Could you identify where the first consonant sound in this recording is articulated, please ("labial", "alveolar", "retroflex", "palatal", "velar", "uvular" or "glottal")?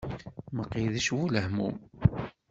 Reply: labial